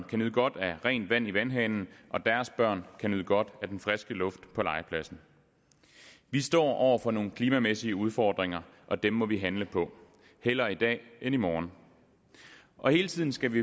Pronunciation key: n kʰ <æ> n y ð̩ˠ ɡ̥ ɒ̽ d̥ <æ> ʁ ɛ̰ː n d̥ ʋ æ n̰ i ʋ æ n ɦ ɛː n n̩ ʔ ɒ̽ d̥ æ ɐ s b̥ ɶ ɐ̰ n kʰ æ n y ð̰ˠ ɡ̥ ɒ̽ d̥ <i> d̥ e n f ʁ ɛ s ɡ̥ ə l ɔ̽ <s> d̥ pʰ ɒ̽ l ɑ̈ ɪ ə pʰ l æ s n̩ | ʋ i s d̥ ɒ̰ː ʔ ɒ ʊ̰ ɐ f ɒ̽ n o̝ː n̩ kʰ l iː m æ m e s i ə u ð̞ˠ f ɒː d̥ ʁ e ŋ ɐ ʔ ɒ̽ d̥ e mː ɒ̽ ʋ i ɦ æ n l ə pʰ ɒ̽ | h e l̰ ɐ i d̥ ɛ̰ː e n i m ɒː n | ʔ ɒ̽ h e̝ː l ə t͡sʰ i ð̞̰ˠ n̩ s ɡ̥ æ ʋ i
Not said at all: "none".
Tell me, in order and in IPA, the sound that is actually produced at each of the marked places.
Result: æ, æ, æ, f

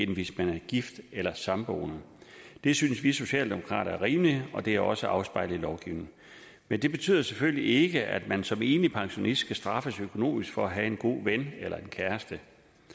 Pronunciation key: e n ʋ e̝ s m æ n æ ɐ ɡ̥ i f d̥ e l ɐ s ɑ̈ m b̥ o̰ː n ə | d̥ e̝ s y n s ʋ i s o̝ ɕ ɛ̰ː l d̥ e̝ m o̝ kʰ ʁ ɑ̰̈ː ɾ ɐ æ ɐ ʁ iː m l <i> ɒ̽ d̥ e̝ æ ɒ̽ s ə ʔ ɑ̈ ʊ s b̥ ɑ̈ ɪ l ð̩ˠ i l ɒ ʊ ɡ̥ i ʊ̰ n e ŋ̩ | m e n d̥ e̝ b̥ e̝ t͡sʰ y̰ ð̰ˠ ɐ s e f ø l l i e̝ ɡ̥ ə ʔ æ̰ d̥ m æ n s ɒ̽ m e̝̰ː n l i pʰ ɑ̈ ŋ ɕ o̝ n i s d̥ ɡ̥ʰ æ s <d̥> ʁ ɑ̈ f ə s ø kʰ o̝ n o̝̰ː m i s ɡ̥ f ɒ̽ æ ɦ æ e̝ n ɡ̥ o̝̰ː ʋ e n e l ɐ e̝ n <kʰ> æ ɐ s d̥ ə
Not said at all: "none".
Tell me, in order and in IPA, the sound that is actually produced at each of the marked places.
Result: i, d̥, kʰ

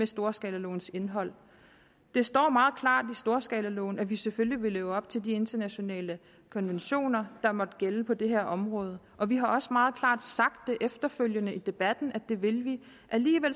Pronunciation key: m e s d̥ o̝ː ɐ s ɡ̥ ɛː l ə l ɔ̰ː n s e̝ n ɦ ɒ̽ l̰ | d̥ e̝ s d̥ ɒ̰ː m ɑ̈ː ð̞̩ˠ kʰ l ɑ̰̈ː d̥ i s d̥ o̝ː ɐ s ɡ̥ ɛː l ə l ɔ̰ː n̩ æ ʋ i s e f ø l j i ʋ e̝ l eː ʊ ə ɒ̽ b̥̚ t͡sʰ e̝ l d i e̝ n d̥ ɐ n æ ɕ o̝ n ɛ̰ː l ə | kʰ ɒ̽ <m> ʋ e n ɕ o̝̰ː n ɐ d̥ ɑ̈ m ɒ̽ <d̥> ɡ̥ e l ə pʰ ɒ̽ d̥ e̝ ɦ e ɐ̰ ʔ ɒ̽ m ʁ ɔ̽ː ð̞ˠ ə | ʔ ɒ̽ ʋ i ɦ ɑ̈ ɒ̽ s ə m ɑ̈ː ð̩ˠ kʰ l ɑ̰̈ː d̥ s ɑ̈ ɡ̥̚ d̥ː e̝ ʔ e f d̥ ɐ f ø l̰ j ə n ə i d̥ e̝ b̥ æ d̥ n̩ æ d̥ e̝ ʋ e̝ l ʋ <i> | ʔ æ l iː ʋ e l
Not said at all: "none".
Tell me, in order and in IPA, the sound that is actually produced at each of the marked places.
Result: n, d̥, i

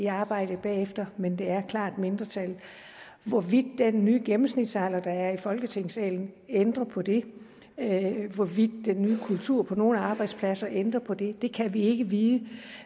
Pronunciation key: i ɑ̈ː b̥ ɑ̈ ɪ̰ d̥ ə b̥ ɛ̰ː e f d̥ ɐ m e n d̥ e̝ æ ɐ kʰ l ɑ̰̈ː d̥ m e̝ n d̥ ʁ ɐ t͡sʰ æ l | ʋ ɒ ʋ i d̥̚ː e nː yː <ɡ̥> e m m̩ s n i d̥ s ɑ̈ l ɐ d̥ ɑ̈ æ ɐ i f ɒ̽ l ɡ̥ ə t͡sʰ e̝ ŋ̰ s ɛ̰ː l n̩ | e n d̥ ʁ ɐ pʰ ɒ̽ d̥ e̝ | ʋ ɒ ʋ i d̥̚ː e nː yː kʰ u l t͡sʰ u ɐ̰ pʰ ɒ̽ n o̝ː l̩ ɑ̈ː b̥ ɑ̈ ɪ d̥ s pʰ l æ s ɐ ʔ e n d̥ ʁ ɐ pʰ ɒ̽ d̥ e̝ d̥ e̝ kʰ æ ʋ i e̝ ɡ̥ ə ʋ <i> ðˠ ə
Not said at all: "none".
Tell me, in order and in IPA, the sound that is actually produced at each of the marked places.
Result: ɡ̥, iː

